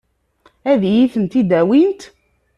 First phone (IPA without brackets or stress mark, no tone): æ